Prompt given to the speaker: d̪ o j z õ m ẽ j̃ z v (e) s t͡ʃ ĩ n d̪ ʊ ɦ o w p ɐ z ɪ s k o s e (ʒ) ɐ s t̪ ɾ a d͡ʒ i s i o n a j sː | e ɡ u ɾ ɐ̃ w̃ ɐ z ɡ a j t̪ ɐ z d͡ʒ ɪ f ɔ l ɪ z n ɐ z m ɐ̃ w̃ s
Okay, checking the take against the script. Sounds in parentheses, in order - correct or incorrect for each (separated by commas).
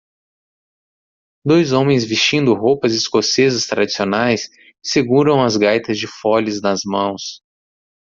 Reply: incorrect, incorrect